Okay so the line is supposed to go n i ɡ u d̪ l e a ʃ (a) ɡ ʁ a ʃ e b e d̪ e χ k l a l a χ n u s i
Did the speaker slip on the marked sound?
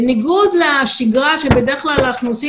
yes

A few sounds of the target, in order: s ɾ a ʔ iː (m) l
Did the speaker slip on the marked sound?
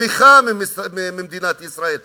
yes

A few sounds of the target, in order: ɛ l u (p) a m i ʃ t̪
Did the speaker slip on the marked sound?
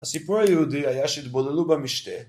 yes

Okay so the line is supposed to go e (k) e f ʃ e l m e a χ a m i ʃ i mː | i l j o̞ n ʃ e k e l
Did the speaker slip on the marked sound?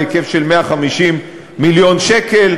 no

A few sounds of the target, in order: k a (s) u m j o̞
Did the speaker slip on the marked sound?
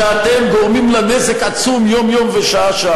yes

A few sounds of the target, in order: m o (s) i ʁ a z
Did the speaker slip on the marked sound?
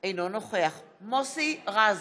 no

